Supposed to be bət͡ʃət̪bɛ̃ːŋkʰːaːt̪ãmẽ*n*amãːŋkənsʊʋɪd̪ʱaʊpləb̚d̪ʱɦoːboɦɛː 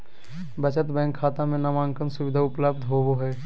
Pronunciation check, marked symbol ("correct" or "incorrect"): correct